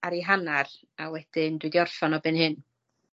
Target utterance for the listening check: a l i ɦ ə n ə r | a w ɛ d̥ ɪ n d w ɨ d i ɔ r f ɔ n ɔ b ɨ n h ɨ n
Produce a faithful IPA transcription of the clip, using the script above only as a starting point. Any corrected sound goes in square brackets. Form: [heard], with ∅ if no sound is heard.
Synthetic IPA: a [ɾ] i ɦ [a] n [a] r | a w ɛ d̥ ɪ n d w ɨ d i ɔ r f ɔ n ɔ b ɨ n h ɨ n